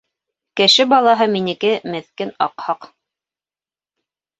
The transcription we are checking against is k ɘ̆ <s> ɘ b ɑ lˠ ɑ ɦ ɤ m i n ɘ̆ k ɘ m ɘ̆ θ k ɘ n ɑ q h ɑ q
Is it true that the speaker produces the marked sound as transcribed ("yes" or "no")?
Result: no